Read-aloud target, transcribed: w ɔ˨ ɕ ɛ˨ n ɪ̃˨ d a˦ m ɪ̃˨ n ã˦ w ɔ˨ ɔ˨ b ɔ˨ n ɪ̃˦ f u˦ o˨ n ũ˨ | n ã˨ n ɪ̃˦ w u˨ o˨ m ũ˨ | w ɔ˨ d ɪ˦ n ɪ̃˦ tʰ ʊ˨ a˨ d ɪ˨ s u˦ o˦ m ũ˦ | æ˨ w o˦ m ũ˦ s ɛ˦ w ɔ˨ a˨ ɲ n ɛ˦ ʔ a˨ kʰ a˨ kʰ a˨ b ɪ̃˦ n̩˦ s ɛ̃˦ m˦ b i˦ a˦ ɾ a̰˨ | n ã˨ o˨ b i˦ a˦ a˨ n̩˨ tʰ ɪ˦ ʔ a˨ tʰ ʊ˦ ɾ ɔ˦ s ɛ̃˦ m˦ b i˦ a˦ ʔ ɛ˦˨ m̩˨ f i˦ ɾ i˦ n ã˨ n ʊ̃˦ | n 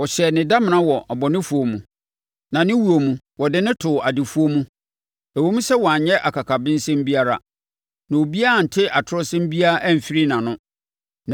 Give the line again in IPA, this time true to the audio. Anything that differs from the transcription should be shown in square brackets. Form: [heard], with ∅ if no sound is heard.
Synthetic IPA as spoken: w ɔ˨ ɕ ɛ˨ n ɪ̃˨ d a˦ m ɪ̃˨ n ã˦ w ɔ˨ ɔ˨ b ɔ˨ n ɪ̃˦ f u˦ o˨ [m] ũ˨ | n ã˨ n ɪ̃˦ w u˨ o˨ m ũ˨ | w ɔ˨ d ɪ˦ n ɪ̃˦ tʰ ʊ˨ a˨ d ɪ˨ [f] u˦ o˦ m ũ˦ | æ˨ w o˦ m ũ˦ s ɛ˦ w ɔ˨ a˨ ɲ [ɲ] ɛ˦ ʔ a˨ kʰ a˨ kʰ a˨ b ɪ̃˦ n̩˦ s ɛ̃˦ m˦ b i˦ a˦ ɾ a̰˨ | n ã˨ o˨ b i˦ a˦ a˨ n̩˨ tʰ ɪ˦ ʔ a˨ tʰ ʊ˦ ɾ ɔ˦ s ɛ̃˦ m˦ b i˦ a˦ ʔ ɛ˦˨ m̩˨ f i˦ ɾ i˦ n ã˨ n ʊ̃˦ | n